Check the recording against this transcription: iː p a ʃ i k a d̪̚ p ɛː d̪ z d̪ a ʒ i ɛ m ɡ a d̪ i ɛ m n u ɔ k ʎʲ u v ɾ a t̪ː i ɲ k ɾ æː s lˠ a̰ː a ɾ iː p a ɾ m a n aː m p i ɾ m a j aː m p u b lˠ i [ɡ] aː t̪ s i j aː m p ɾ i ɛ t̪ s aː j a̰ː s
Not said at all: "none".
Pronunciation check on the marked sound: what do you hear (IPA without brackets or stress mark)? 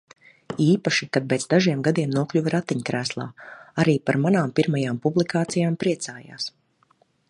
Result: k